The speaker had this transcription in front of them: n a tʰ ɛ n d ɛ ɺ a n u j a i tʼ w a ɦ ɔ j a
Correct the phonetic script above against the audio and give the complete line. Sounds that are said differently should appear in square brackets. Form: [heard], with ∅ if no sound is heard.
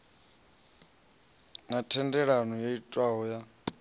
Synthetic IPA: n a tʰ ɛ n d ɛ ɺ a n [ɔ] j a i tʼ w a ɦ ɔ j a